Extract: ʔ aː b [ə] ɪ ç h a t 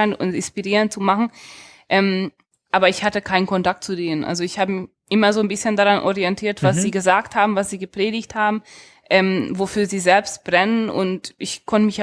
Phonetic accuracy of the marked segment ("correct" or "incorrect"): incorrect